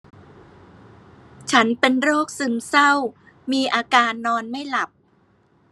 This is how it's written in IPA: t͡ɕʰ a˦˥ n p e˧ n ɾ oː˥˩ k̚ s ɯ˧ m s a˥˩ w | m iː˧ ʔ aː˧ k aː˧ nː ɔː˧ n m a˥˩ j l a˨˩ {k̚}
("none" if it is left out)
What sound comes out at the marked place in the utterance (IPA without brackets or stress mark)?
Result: p̚